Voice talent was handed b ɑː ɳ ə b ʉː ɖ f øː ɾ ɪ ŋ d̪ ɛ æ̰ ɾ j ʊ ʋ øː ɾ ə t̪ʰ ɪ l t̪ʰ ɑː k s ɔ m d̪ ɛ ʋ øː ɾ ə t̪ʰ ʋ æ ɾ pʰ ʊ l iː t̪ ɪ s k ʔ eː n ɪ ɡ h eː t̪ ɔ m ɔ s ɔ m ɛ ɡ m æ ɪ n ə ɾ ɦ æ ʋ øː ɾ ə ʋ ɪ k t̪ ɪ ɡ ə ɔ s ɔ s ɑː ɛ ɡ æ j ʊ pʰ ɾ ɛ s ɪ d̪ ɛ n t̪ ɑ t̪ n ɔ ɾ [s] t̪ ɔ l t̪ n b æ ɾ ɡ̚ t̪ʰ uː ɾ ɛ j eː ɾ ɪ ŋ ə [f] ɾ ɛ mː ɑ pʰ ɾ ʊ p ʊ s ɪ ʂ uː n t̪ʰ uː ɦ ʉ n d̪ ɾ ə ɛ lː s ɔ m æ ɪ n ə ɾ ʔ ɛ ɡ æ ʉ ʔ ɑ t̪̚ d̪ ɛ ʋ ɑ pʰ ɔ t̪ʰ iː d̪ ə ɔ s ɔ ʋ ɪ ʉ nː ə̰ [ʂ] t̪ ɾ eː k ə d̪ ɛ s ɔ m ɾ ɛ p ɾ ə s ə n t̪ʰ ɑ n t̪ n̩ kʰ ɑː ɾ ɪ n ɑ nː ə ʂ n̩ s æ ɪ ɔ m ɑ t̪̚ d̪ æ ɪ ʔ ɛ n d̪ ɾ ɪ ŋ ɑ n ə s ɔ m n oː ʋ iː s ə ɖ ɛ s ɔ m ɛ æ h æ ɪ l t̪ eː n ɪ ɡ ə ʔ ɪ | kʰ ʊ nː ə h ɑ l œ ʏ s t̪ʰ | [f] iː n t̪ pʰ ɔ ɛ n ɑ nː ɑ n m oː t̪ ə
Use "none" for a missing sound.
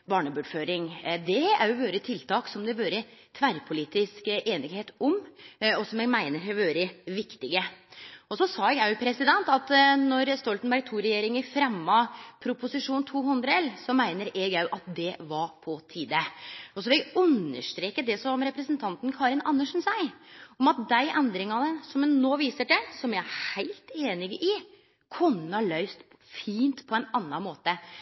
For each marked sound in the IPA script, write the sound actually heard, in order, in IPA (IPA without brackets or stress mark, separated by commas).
s, f, ʂ, f